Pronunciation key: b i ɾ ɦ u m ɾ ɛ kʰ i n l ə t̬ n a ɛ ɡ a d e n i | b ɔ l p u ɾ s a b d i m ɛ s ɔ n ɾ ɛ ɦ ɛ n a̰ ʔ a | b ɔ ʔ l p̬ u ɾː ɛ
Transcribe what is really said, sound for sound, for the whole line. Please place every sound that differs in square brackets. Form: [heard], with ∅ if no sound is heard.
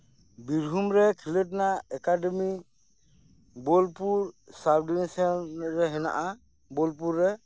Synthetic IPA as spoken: b i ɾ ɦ u m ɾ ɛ kʰ i [∅] l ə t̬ n a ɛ [k] a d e [m] i | b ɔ l p u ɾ s a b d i [n] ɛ s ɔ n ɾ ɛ ɦ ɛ n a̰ ʔ a | b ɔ [∅] l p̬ u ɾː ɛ